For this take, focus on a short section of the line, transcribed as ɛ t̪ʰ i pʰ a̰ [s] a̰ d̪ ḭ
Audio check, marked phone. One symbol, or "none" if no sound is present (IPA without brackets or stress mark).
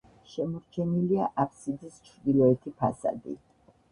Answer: s